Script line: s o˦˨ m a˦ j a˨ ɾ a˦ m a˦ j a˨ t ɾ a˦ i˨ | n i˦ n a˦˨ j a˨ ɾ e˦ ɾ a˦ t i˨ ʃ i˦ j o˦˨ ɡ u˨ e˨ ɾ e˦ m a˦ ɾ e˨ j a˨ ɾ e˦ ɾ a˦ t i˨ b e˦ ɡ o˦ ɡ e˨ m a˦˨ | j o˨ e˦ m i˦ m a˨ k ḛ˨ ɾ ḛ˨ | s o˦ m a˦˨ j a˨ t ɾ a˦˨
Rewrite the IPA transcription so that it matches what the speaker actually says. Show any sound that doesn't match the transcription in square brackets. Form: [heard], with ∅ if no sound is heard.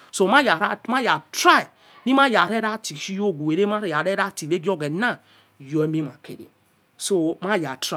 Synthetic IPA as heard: s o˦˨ m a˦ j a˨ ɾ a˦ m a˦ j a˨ t ɾ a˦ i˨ | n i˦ [m] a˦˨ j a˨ ɾ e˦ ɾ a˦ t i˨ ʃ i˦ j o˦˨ ɡ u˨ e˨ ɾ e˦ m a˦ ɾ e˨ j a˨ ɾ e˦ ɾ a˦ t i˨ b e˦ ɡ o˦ ɡ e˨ [n] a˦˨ | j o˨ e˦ m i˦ m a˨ k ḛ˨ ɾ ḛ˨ | s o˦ m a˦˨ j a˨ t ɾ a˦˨